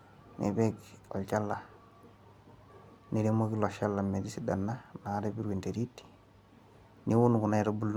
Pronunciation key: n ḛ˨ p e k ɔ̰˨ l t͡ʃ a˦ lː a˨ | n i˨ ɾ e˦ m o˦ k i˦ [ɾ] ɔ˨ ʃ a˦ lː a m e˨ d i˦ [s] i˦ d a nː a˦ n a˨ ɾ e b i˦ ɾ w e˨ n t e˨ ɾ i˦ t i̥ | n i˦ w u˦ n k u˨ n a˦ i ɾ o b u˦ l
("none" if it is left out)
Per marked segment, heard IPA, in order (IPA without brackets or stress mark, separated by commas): l, s